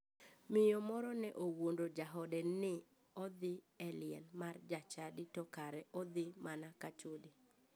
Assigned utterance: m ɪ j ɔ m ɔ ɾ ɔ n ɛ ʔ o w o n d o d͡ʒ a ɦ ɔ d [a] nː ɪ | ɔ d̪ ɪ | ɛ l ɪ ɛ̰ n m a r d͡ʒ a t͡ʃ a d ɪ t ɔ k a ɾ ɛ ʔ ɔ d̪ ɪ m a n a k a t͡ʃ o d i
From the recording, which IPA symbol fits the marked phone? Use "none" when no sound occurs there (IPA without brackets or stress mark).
ɛ